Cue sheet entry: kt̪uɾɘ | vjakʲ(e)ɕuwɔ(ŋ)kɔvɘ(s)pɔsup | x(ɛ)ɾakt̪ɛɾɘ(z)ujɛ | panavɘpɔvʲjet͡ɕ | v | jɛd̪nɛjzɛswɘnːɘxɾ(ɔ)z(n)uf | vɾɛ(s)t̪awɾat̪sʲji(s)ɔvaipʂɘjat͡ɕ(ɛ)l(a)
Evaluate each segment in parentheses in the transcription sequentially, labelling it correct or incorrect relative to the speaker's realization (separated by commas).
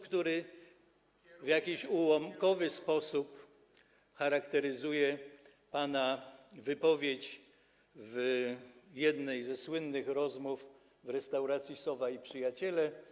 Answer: incorrect, incorrect, correct, incorrect, correct, correct, incorrect, correct, correct, correct, incorrect